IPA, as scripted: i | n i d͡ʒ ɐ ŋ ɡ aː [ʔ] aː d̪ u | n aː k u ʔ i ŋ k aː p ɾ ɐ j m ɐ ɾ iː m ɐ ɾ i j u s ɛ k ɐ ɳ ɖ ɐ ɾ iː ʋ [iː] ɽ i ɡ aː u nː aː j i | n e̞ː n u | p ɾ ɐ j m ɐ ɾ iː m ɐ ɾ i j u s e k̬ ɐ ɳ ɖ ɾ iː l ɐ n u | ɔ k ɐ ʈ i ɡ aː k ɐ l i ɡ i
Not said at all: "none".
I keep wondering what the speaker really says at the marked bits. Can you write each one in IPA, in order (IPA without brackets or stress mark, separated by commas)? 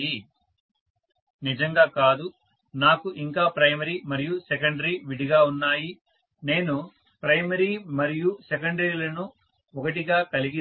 k, i